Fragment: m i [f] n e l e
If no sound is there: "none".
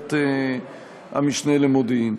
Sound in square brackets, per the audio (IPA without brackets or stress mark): ʃ